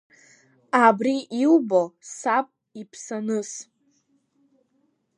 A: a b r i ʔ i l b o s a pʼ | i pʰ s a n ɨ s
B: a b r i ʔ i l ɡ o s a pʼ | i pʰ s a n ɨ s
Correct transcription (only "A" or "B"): A